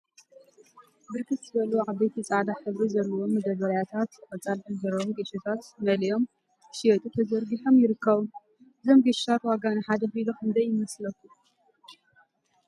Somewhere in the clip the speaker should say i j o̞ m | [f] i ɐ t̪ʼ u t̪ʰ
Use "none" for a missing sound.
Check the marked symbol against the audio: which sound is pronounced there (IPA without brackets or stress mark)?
ʃ